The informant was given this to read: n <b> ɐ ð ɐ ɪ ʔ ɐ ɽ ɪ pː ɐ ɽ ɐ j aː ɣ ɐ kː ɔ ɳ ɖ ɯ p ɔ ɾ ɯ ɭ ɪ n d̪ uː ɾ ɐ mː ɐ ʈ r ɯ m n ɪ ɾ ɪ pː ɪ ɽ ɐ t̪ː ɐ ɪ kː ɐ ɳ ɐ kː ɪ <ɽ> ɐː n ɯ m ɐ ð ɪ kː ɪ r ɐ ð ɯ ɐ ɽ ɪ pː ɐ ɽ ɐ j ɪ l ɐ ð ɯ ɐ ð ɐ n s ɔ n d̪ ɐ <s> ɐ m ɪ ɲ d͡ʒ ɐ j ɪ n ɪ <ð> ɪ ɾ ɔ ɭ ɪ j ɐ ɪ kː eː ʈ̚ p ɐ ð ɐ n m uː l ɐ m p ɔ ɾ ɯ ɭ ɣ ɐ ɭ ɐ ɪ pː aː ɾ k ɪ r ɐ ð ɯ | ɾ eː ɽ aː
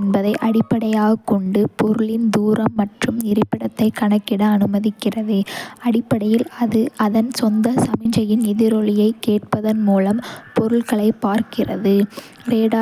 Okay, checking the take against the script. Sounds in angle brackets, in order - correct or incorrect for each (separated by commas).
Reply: correct, correct, correct, correct